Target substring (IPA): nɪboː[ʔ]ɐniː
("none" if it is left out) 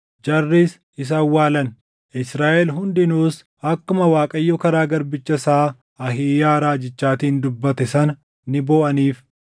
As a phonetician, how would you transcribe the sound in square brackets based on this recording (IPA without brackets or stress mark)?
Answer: ʔ